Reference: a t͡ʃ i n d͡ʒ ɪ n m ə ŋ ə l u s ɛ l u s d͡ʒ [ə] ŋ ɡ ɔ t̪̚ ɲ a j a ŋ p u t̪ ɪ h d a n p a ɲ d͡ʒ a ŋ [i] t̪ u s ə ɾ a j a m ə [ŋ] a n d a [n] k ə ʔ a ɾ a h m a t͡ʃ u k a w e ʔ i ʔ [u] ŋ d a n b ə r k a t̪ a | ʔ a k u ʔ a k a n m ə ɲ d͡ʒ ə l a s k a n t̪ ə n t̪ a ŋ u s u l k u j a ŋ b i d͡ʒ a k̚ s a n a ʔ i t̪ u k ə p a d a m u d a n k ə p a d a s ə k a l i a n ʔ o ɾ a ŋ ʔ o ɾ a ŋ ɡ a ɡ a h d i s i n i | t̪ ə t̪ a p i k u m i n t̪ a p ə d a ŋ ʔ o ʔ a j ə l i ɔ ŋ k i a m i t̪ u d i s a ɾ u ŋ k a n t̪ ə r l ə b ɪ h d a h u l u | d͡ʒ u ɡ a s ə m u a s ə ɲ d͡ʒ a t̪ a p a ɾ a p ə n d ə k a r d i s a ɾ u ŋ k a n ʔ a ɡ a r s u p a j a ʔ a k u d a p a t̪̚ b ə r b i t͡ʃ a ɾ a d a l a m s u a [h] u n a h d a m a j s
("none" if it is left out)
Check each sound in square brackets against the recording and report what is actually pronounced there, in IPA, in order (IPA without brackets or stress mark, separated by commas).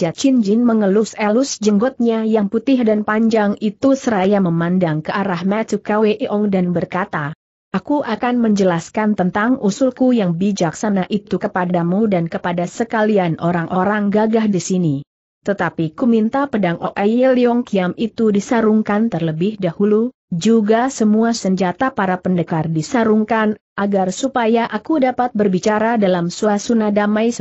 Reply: ə, i, m, ŋ, ɔ, s